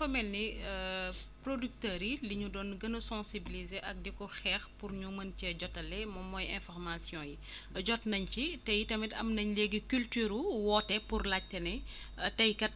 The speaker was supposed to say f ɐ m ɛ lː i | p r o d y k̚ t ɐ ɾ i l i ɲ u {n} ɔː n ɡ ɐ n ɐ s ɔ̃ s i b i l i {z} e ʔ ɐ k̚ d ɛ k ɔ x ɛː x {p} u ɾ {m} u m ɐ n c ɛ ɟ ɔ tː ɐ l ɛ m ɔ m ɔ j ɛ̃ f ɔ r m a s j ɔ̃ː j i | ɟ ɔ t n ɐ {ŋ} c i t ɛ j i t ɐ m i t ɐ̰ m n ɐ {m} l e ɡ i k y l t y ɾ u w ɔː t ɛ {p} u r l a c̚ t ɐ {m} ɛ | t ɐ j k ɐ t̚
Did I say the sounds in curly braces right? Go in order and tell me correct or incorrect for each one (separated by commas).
incorrect, correct, correct, incorrect, incorrect, incorrect, correct, incorrect